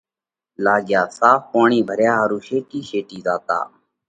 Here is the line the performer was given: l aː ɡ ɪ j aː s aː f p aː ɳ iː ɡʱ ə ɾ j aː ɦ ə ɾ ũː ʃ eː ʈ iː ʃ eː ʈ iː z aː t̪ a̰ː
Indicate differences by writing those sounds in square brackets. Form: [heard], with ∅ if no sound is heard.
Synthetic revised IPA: l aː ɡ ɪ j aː s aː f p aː ɳ iː [bʱ] ə ɾ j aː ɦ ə ɾ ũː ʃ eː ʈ iː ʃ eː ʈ iː z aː t̪ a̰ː